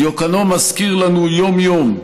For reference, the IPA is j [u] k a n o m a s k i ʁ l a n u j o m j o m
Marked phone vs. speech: incorrect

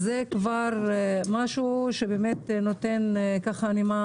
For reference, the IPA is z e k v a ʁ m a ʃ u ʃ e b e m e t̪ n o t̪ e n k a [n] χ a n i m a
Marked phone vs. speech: incorrect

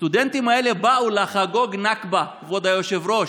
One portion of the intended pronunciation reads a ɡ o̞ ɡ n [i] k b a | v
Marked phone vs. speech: incorrect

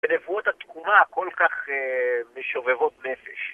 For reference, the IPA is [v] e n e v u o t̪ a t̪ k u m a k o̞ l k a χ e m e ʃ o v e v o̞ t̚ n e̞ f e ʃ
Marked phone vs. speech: incorrect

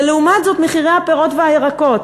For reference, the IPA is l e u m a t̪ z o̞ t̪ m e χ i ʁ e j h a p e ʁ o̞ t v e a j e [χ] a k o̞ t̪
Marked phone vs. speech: incorrect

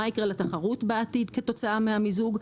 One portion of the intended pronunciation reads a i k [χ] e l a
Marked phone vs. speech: incorrect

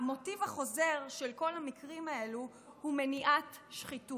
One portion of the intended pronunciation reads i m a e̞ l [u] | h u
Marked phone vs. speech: correct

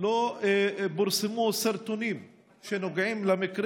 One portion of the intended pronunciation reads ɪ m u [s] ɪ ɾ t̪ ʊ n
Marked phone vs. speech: correct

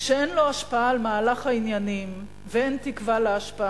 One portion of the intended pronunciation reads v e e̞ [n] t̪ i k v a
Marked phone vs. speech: correct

